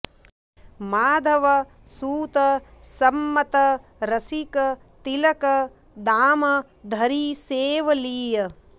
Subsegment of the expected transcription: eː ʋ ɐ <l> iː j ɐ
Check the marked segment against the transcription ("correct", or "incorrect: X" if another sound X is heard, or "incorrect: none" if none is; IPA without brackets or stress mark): correct